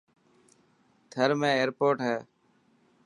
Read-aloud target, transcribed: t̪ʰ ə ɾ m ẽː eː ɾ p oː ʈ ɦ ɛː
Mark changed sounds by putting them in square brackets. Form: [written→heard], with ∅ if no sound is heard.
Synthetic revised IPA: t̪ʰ ə ɾ m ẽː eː ɾ p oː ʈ ɦ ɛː